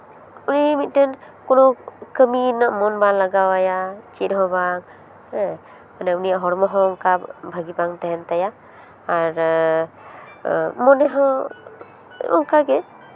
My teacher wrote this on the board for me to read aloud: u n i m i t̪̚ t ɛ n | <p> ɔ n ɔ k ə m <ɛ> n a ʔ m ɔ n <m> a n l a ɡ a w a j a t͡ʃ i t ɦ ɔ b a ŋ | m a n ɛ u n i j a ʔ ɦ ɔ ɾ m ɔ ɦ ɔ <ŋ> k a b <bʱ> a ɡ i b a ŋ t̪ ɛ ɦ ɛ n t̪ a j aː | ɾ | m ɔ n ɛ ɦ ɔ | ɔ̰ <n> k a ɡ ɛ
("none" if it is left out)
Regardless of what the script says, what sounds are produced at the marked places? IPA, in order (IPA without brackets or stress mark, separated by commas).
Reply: k, i, b, ŋ, bʱ, ŋ